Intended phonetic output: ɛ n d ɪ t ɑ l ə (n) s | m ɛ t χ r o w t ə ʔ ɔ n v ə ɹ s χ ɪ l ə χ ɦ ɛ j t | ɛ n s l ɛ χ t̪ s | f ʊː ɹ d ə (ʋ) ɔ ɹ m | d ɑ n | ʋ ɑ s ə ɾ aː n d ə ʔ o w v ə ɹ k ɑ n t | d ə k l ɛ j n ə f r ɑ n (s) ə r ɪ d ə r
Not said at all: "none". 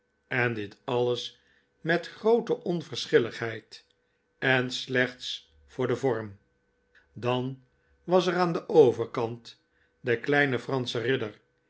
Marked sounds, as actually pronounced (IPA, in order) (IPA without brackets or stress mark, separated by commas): none, v, s